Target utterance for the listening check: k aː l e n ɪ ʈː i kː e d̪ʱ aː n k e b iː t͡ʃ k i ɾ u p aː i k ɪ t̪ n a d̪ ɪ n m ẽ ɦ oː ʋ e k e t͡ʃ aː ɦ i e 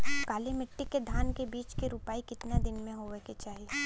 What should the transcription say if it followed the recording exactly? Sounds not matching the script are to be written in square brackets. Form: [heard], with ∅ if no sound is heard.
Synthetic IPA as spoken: k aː l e [m] ɪ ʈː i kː e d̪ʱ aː n k e b iː t͡ʃ k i ɾ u p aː i k ɪ t̪ n a d̪ ɪ n m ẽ ɦ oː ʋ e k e t͡ʃ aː ɦ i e